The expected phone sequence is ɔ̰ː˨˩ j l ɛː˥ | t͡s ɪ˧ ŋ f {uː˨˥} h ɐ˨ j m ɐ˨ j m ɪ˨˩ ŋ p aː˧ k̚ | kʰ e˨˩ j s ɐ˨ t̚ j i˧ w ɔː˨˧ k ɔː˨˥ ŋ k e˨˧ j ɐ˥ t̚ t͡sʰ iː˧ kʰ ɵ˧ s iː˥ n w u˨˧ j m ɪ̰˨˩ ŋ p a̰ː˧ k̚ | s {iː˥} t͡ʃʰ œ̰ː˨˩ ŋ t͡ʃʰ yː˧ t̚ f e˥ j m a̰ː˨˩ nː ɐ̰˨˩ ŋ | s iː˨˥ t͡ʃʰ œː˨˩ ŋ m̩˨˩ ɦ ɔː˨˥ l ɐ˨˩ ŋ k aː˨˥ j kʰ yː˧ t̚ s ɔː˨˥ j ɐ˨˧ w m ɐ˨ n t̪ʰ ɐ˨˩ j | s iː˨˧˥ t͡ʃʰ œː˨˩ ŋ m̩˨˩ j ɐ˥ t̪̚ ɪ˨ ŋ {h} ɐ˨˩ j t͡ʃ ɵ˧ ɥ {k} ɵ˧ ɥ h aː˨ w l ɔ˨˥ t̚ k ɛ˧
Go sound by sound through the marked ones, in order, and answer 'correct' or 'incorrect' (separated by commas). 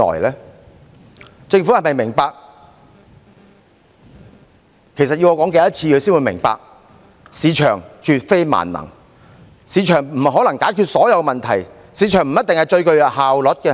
incorrect, incorrect, correct, correct